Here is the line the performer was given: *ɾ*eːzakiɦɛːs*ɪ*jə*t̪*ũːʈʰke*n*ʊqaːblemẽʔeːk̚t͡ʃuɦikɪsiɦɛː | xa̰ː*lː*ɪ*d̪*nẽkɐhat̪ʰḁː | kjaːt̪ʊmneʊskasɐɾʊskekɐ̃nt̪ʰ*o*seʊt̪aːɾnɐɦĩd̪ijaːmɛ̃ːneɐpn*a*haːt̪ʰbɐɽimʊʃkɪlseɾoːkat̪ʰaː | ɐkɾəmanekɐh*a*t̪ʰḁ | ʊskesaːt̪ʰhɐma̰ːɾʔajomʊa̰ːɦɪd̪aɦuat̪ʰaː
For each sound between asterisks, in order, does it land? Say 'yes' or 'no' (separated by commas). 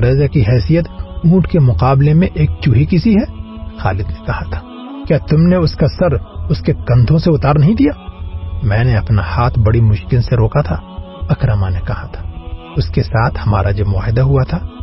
yes, no, yes, no, no, yes, no, yes, yes